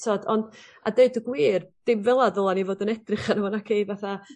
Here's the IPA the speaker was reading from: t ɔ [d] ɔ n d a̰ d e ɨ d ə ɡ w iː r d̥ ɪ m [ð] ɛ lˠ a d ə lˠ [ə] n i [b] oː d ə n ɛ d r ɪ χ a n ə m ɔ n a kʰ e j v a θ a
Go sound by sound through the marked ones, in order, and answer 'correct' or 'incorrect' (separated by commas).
correct, incorrect, incorrect, incorrect